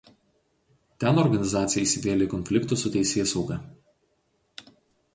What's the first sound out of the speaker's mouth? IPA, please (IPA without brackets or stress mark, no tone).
t̪ʲ